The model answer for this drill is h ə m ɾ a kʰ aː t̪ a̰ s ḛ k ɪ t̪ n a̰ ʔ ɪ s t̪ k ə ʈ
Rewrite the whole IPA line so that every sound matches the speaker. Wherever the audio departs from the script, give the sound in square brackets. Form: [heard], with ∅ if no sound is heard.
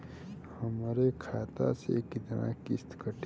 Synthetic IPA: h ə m ɾ [e] kʰ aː t̪ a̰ s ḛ k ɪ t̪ n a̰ [k] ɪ s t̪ k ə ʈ